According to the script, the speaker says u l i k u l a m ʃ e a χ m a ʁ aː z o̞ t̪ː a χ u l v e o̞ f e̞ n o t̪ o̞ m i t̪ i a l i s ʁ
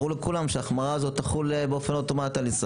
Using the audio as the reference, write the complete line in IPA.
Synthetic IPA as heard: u l e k u l a m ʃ e a χ m a ʁ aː z o̞ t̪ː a χ u l b e o̞ f e̞ n o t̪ o̞ m a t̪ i a l i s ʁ